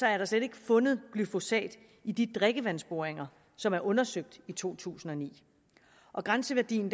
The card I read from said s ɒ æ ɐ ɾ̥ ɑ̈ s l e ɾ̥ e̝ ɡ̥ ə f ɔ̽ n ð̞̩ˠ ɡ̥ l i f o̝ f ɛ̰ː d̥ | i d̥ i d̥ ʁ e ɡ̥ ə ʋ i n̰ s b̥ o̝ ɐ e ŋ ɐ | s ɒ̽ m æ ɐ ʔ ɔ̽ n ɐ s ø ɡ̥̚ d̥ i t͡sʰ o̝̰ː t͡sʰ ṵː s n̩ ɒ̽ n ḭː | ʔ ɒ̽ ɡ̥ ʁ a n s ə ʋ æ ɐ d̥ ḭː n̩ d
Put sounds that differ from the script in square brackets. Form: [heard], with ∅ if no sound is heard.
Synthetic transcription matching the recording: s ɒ æ ɐ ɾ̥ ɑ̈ s l e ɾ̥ e̝ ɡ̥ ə f ɔ̽ n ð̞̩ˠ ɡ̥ l [y] f o̝ [s] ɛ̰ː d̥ | i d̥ i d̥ ʁ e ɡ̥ ə ʋ [æ] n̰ s b̥ o̝ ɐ e ŋ ɐ | s ɒ̽ m æ ɐ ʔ ɔ̽ n ɐ s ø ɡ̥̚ d̥ i t͡sʰ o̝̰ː t͡sʰ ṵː s n̩ ɒ̽ n ḭː | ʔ ɒ̽ ɡ̥ ʁ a n s ə ʋ æ ɐ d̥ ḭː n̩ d